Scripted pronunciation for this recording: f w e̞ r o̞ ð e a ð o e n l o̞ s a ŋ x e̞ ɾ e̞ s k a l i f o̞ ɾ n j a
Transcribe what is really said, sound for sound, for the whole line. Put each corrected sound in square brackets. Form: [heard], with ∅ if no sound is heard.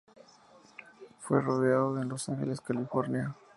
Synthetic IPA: f w e̞ r o̞ ð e a ð o e n l o̞ s a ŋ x e̞ [l] e̞ s k a l i f o̞ ɾ n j a